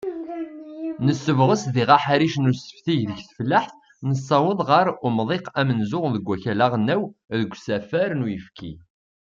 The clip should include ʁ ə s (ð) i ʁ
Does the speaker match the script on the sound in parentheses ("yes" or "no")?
yes